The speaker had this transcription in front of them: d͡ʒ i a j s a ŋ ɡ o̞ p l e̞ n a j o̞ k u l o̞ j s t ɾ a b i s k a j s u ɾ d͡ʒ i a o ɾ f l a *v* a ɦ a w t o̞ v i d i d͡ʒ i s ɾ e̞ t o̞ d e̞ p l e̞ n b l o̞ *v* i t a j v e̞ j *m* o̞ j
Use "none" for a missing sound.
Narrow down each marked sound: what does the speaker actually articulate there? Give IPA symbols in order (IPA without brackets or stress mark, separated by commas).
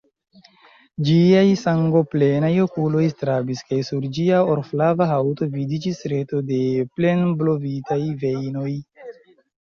v, v, n